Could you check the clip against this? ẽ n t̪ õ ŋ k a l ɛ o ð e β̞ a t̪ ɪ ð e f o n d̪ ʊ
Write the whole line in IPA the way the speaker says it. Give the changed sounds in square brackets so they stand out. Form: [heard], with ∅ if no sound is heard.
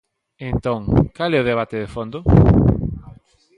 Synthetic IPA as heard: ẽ n t̪ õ ŋ k a l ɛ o ð e β̞ a t̪ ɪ ð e f o n d̪ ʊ